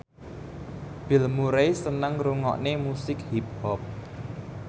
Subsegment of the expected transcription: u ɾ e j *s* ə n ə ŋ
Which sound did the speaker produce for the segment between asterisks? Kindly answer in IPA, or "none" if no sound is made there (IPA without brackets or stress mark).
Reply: s